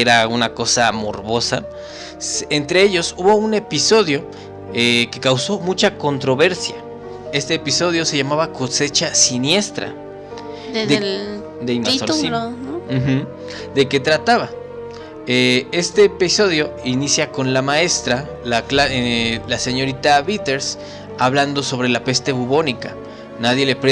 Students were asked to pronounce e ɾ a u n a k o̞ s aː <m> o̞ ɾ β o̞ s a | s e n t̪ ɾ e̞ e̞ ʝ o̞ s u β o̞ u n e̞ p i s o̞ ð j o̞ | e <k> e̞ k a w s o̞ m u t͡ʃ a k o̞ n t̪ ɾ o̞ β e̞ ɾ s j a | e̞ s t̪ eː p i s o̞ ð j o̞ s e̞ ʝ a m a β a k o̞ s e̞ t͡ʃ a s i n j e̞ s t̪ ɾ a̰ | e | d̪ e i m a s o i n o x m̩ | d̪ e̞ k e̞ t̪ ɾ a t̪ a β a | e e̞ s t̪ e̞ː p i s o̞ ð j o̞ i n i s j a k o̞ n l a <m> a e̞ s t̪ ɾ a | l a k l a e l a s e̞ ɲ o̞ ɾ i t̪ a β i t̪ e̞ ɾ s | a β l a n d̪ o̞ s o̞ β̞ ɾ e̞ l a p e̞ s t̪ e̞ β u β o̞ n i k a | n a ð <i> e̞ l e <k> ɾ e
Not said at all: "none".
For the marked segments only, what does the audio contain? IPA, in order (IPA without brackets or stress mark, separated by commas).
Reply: m, k, m, j, p